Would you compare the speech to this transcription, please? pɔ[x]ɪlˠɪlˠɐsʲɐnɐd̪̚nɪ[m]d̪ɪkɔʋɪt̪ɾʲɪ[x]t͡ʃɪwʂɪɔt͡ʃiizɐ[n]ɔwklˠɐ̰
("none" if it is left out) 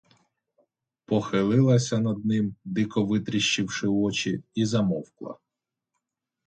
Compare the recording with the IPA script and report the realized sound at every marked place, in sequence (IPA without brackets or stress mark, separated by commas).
x, m, ʃ, m